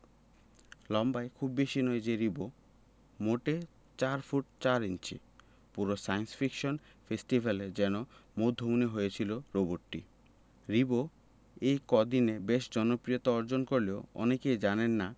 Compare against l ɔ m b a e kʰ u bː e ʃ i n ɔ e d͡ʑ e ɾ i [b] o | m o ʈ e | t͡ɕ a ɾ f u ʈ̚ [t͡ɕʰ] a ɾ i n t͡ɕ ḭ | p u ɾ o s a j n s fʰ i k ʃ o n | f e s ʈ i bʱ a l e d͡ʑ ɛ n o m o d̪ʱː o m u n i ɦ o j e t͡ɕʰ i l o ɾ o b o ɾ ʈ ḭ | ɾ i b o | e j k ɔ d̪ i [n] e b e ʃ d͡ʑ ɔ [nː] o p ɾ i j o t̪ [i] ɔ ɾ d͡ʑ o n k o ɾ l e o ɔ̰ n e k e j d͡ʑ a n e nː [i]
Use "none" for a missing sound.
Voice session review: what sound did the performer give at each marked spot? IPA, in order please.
b, t͡ɕ, n, n, a, a

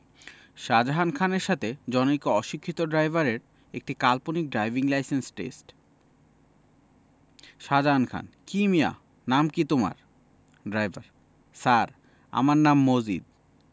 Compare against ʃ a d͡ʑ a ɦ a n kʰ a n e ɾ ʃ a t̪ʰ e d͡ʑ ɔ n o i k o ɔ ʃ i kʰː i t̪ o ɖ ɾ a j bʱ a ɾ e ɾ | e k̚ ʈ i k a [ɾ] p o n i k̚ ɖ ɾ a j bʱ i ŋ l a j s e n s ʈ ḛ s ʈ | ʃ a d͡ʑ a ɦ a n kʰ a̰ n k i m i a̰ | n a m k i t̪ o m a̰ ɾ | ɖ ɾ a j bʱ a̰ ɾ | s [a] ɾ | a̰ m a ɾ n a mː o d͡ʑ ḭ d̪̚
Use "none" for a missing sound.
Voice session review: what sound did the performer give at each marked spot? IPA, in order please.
l, a

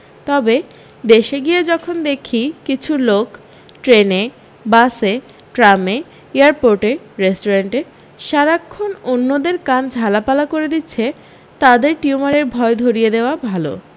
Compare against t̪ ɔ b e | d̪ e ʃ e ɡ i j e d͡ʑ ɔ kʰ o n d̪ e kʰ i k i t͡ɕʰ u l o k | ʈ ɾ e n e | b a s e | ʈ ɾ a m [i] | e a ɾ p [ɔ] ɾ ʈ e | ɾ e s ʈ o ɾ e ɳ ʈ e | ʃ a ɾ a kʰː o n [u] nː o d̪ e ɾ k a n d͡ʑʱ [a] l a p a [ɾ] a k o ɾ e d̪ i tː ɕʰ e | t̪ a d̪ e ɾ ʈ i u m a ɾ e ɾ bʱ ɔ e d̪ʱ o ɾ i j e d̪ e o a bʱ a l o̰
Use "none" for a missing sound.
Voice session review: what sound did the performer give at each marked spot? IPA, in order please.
e, o, o, a, l

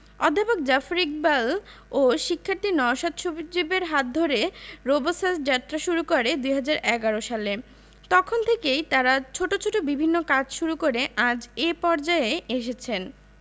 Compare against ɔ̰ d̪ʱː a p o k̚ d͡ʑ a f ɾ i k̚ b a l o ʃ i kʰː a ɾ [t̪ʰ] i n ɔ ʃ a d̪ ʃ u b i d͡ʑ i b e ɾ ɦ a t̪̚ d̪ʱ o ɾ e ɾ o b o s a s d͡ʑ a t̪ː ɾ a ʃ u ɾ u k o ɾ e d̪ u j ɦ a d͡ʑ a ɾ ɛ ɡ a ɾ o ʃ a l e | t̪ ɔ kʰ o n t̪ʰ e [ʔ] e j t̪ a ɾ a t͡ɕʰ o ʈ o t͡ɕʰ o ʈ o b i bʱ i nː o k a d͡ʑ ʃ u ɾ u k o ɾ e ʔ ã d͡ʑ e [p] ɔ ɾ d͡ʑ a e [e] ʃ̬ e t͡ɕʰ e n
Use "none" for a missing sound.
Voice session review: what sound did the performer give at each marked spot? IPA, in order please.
t̪, k, p, e

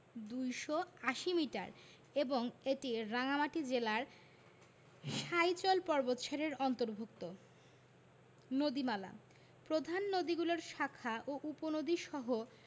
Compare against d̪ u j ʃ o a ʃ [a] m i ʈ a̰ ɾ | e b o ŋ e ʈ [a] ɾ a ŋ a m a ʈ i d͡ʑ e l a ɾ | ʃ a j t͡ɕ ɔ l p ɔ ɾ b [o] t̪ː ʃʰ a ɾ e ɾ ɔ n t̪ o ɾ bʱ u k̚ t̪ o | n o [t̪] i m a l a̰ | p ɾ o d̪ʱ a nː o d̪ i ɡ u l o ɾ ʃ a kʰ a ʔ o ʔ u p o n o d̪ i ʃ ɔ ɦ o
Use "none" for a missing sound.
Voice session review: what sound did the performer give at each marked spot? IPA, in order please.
i, i, o, d̪

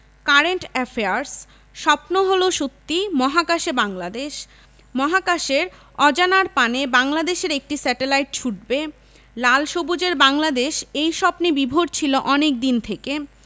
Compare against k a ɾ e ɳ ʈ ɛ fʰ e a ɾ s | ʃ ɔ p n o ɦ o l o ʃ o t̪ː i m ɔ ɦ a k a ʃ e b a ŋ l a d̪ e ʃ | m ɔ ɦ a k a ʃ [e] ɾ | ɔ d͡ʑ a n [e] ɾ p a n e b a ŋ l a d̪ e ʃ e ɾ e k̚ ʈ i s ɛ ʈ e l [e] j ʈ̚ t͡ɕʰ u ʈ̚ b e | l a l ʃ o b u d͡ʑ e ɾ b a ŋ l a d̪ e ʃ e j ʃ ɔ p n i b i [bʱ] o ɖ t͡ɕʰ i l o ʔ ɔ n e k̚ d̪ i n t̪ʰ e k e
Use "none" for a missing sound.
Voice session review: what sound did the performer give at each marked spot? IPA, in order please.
e, a, a, bʱ

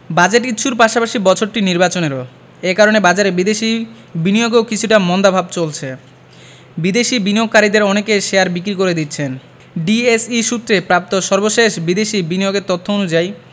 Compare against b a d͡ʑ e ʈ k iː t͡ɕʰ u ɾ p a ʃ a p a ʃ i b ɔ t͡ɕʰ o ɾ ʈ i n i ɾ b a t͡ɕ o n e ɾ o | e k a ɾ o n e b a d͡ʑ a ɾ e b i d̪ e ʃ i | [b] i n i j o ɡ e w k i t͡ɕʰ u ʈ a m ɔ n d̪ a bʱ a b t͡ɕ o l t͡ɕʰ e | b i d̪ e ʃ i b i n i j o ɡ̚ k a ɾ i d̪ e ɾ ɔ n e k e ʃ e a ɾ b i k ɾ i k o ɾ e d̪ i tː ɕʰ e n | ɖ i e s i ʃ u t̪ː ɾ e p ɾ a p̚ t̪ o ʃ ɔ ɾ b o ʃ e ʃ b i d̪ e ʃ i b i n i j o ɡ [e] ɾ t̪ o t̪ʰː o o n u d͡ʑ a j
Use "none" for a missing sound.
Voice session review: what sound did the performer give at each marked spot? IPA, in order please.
b, e

